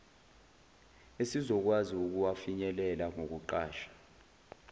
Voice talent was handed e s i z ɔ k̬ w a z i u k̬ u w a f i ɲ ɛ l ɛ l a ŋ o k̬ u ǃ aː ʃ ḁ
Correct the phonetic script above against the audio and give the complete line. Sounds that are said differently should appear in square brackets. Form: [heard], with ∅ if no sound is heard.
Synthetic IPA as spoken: e s i z ɔ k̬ w a z i u k̬ u w a f i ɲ ɛ l ɛ l a ŋ o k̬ u ǃ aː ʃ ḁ